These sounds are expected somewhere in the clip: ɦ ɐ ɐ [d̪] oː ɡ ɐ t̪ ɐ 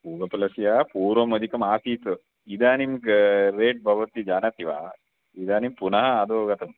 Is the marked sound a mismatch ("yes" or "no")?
no